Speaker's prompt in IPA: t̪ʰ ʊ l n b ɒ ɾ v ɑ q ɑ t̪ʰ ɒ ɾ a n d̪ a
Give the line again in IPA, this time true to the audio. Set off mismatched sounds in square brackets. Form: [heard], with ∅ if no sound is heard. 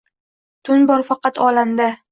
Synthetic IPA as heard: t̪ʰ ʊ [∅] n b ɒ ɾ [f] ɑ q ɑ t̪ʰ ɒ [l] a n d̪ a